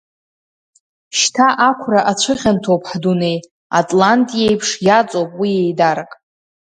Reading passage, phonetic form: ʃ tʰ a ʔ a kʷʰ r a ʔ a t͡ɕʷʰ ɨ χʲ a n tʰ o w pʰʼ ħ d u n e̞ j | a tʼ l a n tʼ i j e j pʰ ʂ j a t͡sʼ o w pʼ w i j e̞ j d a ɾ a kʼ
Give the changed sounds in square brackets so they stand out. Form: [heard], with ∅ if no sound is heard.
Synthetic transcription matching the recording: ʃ tʰ a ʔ a kʷʰ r a ʔ a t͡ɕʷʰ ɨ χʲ a n tʰ o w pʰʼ ħ d u n e̞ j | a tʼ l a n tʼ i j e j pʰ ʂ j a t͡sʼ o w pʼ w i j e̞ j d a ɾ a kʼ